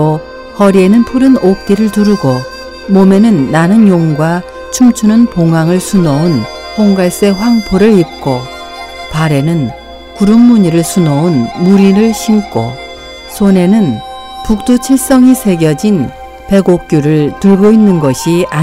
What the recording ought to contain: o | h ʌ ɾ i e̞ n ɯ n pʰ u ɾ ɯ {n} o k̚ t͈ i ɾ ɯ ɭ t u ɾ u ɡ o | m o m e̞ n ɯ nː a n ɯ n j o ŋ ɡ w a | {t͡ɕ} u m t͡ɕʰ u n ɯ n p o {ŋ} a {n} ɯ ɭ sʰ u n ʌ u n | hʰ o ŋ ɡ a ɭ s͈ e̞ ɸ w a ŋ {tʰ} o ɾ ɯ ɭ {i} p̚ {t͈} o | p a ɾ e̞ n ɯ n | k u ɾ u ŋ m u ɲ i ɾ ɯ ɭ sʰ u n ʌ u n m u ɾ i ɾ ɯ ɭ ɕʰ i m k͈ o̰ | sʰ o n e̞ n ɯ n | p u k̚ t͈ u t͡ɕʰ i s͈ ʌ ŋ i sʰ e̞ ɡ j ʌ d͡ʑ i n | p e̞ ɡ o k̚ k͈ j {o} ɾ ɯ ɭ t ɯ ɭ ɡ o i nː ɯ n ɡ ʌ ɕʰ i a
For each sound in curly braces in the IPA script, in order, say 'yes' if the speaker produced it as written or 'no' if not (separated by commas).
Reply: yes, no, yes, no, no, yes, no, no